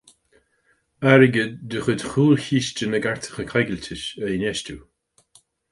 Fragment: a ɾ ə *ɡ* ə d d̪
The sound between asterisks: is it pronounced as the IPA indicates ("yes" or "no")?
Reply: yes